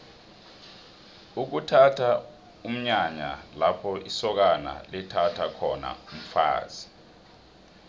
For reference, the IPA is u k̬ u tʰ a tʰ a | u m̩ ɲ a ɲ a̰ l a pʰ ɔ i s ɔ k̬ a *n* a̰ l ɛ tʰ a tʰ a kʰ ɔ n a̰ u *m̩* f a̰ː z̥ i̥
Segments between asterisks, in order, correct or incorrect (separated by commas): correct, correct